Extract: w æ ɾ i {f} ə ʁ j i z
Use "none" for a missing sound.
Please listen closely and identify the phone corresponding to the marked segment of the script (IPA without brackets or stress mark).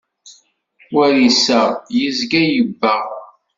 s